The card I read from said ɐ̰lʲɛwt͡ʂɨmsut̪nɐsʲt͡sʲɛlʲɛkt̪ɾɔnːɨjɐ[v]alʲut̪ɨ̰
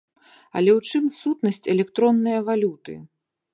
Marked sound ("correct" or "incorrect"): correct